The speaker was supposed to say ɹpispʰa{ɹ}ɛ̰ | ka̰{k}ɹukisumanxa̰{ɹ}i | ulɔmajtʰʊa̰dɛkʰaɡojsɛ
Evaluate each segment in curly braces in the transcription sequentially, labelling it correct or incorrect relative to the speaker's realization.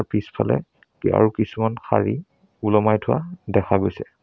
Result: incorrect, incorrect, correct

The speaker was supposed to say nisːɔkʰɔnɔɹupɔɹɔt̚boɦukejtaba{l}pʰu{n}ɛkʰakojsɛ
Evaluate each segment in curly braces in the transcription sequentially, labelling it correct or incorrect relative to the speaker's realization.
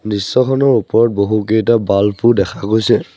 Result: correct, incorrect

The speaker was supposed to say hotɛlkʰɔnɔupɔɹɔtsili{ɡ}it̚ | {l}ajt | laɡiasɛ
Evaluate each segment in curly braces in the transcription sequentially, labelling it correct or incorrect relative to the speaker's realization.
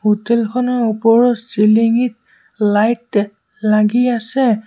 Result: incorrect, correct

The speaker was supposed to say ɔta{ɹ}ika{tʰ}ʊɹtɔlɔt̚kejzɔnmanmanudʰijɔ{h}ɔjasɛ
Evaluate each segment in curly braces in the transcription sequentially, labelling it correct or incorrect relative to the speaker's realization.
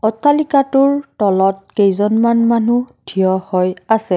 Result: incorrect, incorrect, correct

